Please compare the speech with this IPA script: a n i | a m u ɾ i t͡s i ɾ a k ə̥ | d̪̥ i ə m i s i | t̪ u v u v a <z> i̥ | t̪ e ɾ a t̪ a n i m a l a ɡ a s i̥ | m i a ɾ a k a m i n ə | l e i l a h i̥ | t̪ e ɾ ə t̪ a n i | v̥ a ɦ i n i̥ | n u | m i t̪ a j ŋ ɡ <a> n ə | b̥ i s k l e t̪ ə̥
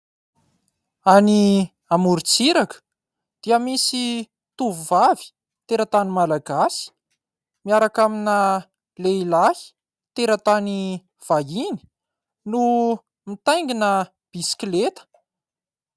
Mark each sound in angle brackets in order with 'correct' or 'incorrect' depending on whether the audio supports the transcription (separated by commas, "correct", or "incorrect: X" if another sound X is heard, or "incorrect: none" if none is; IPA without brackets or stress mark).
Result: incorrect: v, incorrect: i